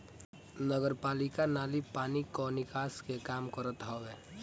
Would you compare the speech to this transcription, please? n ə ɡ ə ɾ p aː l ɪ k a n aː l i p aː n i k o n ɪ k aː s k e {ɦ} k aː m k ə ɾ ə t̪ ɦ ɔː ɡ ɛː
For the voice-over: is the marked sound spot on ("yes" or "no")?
no